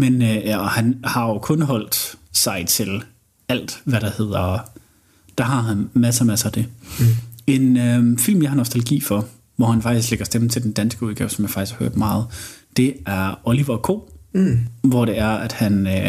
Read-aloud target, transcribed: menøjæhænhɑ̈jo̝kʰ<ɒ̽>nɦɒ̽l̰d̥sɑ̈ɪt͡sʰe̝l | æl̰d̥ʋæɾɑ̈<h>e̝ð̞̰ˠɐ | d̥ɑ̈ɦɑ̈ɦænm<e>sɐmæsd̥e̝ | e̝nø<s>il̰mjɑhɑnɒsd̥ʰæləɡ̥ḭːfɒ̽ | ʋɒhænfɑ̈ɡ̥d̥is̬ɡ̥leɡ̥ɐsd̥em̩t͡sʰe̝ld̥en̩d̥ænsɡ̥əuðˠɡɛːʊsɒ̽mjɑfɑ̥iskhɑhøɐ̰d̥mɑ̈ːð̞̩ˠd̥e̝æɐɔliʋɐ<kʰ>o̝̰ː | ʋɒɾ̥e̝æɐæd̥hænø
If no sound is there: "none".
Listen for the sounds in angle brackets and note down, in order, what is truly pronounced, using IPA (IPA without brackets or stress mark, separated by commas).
ɔ̽, h, æ, f, kʰ